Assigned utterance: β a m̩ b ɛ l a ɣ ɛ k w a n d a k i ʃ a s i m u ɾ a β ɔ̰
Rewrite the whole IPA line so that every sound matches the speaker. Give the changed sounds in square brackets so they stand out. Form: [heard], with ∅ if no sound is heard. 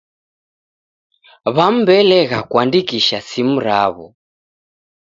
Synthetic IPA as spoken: β a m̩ b ɛ l [ɛ] ɣ [a] k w a n d [i] k i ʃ a s i m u ɾ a β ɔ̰